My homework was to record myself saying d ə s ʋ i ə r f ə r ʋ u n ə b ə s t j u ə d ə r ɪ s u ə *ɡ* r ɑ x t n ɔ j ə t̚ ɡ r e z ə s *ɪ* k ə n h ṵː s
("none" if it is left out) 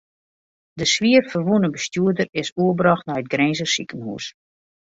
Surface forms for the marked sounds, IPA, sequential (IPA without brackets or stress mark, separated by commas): b, i